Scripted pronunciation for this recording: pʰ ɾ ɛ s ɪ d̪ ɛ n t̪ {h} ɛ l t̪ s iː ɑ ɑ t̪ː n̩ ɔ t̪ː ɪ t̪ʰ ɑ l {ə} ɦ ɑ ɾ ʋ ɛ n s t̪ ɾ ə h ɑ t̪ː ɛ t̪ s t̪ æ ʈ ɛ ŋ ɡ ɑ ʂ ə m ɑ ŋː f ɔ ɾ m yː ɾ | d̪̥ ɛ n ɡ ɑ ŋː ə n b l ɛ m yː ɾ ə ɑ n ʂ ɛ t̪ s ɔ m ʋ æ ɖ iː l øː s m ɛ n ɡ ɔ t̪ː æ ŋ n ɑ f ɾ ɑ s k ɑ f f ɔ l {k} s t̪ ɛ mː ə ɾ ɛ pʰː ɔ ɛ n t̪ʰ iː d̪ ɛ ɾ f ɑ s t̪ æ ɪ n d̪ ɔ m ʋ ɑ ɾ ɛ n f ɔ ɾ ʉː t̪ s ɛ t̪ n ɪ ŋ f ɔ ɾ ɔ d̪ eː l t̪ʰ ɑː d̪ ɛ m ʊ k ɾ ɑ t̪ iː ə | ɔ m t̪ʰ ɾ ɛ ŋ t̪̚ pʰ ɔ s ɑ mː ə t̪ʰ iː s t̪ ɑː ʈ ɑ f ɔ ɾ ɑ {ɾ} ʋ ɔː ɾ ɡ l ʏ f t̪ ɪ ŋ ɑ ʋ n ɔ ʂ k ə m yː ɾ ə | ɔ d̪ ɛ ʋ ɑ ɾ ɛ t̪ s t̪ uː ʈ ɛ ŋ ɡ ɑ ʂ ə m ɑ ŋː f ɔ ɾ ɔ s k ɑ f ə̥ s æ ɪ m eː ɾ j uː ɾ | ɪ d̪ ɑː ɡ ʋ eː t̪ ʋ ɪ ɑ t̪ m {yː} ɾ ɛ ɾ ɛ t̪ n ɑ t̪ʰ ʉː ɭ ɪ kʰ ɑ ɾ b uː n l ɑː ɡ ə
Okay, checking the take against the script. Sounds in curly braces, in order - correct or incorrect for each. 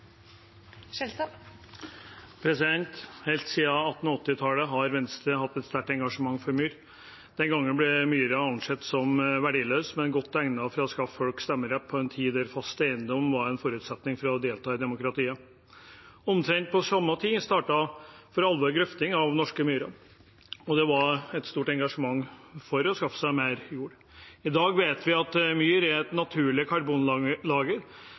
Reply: correct, correct, correct, incorrect, correct

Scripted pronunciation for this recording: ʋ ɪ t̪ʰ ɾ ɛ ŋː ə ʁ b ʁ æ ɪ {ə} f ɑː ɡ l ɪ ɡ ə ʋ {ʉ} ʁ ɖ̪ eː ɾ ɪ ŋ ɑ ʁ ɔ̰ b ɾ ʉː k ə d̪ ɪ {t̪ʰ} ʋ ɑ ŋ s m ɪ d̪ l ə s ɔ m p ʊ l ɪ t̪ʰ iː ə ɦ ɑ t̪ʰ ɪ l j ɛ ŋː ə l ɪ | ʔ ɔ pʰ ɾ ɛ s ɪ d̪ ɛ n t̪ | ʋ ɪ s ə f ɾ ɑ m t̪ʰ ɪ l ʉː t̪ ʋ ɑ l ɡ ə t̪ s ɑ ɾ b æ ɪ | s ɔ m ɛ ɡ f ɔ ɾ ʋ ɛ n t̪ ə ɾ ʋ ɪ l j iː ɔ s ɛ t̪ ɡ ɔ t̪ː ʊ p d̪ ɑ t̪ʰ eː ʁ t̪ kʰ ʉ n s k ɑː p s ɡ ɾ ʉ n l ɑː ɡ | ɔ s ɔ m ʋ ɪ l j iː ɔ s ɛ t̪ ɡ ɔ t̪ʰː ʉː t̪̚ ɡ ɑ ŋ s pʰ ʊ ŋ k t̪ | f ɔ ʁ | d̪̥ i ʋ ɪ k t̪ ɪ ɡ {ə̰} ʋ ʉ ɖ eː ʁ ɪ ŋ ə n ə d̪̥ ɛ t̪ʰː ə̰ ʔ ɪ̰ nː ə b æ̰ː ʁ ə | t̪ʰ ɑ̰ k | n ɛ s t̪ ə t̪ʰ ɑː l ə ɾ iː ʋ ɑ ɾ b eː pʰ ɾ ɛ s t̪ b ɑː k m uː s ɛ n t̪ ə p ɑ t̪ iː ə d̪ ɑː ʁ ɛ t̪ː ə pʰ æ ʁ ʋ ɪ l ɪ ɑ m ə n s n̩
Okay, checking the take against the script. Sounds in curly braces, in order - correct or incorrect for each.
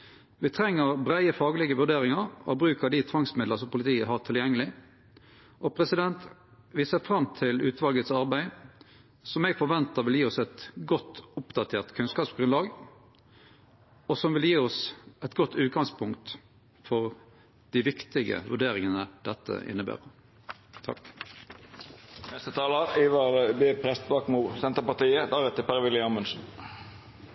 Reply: correct, correct, correct, correct

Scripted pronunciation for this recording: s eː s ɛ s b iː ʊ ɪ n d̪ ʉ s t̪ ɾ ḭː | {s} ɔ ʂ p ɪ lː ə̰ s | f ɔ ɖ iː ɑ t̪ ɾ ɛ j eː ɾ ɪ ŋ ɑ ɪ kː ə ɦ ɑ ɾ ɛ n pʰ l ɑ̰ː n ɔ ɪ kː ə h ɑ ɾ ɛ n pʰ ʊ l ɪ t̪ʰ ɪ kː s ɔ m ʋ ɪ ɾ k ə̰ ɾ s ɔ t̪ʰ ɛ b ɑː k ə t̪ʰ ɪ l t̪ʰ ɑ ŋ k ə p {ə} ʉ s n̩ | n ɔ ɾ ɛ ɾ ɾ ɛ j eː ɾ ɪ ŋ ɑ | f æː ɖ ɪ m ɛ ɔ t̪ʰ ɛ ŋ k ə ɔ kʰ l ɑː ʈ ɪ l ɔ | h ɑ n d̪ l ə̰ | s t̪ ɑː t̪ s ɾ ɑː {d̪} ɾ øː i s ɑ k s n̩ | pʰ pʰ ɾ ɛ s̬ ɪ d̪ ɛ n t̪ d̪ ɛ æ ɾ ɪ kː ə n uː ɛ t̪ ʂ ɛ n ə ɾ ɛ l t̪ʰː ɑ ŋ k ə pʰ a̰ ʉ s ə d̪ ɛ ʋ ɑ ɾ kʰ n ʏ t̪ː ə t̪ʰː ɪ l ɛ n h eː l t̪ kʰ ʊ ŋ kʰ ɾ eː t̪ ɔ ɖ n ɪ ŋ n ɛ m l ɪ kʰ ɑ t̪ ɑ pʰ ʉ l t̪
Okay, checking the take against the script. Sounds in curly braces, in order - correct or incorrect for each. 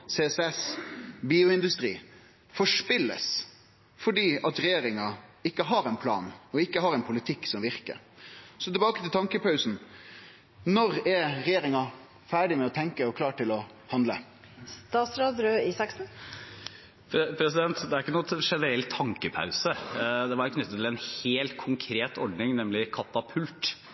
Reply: incorrect, incorrect, correct

